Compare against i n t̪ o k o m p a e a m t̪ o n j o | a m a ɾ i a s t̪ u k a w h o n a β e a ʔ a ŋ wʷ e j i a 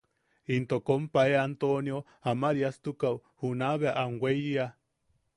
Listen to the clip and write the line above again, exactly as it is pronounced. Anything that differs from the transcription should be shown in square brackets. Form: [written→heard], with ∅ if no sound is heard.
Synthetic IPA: i n t̪ o k o m p a e a [m→n] t̪ o n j o | a m a ɾ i a s t̪ u k a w h [o→u] n a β e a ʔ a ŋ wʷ e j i a